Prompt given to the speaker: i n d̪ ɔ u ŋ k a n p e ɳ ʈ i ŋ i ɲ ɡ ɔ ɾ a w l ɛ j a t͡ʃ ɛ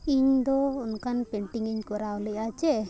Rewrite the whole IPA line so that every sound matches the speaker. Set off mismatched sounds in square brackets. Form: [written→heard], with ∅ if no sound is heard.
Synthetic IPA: i [n→ɲ] d̪ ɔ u [ŋ→n] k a n p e ɳ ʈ i ŋ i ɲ [ɡ→k] ɔ ɾ a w l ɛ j a t͡ʃ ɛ